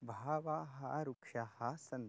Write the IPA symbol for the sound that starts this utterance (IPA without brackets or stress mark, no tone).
bʱ